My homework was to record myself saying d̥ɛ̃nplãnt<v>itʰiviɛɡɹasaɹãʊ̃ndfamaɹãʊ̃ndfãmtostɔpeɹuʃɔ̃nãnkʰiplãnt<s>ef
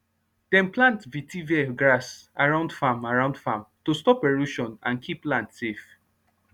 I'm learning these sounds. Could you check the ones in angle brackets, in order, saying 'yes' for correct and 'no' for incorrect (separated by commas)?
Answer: yes, yes